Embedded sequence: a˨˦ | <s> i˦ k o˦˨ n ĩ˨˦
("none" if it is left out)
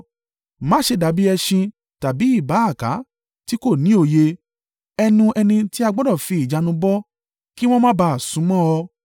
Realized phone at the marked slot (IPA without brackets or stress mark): t